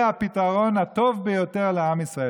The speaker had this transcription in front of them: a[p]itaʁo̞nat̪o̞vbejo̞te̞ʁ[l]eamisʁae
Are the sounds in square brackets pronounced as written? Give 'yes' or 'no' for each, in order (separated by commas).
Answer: yes, yes